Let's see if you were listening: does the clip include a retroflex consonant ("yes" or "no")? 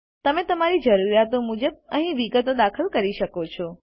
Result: no